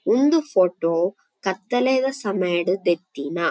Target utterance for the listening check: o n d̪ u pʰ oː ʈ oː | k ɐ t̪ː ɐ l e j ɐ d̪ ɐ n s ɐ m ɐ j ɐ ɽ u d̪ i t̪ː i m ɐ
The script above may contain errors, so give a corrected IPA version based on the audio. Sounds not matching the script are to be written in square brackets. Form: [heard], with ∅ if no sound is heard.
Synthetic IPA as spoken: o n d̪ u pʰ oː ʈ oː | k ɐ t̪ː ɐ l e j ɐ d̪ ɐ [∅] s ɐ m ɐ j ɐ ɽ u d̪ [e] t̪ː i [n] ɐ